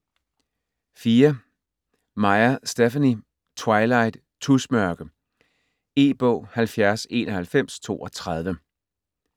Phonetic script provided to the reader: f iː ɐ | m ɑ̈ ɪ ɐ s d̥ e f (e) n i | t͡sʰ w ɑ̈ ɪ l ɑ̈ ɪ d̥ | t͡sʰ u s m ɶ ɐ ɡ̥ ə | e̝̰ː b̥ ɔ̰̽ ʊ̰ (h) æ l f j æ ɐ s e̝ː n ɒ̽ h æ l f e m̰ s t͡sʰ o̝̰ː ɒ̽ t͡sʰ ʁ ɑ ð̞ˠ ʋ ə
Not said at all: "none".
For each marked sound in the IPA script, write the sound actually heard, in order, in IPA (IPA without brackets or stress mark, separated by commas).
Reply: æ, h